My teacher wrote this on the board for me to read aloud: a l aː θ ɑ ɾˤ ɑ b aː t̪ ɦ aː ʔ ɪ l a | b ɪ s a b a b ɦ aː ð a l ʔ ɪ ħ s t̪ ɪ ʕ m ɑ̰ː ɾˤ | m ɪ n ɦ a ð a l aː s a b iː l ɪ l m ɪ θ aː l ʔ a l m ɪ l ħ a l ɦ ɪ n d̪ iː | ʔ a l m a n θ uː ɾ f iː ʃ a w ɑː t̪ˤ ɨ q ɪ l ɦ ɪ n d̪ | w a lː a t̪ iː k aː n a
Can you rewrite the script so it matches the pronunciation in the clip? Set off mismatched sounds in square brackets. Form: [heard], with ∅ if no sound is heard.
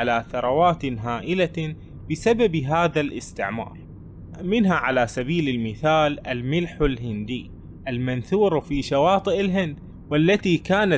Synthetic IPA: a l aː θ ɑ ɾˤ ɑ [w] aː t̪ ɦ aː ʔ ɪ l a | b ɪ s a b a b ɦ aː ð a l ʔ ɪ [∅] s t̪ ɪ ʕ m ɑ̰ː ɾˤ | m ɪ n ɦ a [ʕ] a l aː s a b iː l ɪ l m ɪ θ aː l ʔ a l m ɪ l ħ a l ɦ ɪ n d̪ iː | ʔ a l m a n θ uː ɾ f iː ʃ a w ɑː t̪ˤ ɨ [ʔ] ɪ l ɦ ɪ n d̪ | w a lː a t̪ iː k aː n a